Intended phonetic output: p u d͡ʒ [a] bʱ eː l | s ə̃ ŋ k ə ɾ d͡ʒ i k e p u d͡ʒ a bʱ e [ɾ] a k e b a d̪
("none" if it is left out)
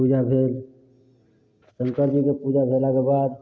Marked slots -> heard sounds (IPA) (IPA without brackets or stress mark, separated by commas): a, l